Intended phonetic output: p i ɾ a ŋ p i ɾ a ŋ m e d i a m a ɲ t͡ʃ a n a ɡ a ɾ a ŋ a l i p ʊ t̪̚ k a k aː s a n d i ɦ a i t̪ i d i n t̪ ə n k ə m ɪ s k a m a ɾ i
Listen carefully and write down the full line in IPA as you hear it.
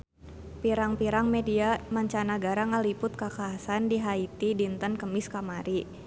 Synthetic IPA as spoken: p i ɾ a ŋ p i ɾ a ŋ m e d i a m a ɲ t͡ʃ a n a ɡ a ɾ a ŋ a l i p ʊ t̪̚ k a k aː s a n d i ɦ a i t̪ i d i n t̪ ə n k ə m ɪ s k a m a ɾ i